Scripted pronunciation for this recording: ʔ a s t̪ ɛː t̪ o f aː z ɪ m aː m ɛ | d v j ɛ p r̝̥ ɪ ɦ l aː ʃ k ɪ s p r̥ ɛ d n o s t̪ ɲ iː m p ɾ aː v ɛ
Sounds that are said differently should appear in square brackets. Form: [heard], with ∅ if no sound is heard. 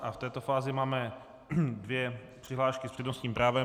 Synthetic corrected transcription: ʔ a [f] t̪ ɛː t̪ o f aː z ɪ m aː m ɛ | d v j ɛ p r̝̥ ɪ ɦ l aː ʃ k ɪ s p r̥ ɛ d n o s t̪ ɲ iː m p ɾ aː v ɛ